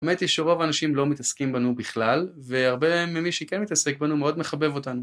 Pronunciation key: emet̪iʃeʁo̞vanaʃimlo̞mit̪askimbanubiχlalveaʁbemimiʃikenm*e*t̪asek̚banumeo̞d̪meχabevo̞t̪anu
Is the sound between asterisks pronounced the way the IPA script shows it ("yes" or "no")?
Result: no